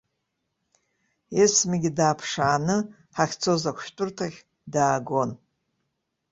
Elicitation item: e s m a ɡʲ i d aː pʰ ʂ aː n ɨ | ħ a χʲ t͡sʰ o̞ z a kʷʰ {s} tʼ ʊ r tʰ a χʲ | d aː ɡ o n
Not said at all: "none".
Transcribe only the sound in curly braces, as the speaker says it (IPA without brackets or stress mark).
ʃ